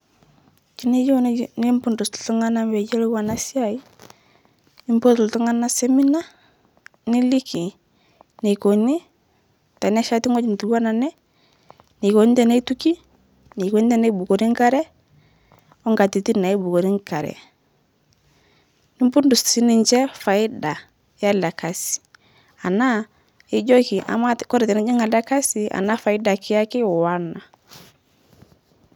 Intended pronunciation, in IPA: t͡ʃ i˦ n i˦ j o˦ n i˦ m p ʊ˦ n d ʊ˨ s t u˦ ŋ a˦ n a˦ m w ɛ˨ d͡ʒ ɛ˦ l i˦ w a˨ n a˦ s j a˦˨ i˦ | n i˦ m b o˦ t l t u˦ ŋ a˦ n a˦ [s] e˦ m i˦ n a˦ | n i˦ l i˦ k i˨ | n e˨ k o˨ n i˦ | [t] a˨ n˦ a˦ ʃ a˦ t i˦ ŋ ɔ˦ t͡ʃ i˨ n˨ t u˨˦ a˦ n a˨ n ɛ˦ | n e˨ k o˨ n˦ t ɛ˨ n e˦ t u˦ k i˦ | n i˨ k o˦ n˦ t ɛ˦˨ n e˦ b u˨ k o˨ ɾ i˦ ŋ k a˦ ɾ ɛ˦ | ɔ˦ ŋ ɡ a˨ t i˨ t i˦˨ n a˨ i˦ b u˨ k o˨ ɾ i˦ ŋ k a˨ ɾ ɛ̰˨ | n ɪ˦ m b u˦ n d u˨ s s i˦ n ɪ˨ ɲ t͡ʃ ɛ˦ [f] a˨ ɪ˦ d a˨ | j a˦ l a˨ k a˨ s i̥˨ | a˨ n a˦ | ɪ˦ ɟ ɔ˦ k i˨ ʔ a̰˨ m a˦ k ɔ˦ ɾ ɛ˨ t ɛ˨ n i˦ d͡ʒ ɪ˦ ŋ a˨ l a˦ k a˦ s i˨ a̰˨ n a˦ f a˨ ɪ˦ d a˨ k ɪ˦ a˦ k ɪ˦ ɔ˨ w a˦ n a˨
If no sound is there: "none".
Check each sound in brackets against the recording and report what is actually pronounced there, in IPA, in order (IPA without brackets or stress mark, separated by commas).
s, t, f